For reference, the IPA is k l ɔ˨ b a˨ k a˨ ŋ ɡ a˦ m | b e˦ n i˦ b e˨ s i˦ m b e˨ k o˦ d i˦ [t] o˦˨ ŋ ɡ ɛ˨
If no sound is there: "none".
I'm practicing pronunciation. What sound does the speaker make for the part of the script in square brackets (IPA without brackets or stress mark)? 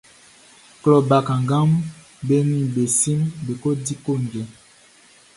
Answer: k